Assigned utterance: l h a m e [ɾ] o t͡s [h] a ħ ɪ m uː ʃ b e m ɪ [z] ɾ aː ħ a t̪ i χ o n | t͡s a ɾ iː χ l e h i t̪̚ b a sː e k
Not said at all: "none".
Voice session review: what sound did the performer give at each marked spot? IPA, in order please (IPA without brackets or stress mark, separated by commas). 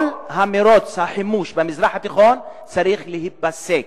ɾ, h, z